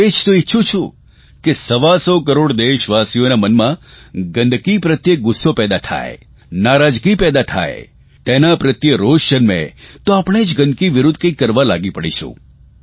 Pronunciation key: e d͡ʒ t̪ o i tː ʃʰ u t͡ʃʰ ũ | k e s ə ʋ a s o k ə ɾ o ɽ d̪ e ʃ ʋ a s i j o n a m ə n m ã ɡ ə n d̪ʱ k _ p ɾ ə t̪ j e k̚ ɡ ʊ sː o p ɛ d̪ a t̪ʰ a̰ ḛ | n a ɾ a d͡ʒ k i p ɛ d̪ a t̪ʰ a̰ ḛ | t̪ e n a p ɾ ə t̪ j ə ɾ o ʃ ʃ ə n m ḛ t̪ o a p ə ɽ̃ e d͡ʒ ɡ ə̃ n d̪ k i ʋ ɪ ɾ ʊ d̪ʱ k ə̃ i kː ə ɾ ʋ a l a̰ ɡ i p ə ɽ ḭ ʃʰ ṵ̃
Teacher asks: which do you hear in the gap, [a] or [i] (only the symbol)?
i